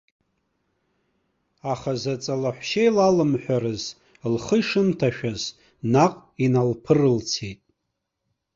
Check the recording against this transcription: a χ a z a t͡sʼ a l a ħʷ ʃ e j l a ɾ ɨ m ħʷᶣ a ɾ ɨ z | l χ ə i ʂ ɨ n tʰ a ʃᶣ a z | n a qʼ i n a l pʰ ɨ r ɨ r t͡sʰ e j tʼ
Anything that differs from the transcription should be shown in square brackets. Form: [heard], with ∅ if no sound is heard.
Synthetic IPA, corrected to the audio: a χ a z a t͡sʼ a l a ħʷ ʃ e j l a [l] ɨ m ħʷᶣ a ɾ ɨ z | l χ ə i ʂ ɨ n tʰ a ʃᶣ a z | n a qʼ i n a l pʰ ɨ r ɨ [l] t͡sʰ e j tʼ